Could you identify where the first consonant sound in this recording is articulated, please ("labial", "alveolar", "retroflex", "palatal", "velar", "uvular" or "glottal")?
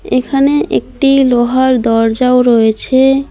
velar